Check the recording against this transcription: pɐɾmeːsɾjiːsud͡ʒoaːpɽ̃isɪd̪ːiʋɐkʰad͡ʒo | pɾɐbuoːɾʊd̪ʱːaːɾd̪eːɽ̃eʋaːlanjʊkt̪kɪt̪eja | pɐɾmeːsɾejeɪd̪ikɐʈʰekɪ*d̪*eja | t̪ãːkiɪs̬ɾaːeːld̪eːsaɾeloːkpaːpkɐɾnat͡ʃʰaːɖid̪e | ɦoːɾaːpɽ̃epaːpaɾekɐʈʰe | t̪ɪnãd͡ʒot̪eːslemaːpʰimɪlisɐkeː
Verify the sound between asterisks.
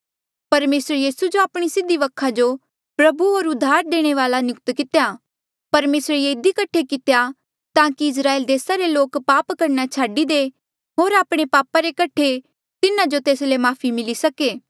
incorrect: t̪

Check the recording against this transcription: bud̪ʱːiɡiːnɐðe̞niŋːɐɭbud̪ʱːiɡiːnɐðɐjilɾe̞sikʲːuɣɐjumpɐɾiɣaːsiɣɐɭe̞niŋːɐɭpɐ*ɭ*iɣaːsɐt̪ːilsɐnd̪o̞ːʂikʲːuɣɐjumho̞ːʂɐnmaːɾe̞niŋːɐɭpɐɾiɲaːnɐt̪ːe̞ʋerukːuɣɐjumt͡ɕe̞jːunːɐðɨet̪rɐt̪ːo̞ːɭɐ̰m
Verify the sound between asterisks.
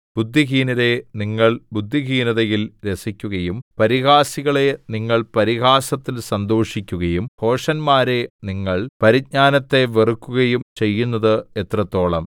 incorrect: ɾ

